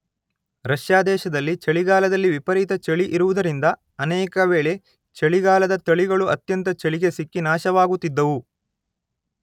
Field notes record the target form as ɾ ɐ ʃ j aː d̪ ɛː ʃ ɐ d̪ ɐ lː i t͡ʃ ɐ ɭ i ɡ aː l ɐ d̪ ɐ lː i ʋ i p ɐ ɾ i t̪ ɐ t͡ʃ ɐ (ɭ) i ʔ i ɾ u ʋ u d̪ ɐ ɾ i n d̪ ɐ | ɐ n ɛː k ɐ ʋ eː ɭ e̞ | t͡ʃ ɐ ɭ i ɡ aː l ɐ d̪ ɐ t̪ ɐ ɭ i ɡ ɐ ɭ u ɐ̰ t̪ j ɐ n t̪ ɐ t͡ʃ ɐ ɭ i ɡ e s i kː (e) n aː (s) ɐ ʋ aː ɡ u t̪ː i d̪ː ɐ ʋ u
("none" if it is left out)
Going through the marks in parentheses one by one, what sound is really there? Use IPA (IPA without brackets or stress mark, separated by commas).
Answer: ɭ, i, ʃ